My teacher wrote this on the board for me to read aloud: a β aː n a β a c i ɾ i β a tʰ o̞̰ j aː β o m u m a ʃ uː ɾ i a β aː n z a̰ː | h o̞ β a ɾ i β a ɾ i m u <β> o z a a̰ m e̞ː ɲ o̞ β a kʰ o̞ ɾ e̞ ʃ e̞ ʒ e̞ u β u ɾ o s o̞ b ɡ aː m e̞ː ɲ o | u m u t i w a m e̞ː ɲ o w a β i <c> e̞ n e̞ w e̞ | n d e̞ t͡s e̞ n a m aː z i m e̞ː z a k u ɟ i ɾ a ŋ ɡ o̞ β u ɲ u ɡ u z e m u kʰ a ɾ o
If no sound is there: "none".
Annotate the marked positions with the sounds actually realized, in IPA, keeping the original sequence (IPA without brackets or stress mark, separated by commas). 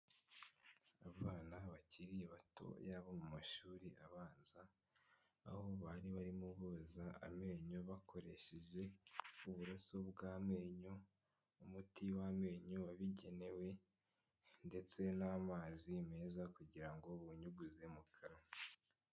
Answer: β, ɟ